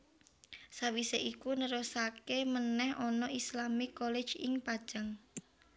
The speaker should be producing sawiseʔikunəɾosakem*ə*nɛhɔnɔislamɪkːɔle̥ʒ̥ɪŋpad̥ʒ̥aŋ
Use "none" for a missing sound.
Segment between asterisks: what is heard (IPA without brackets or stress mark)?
ə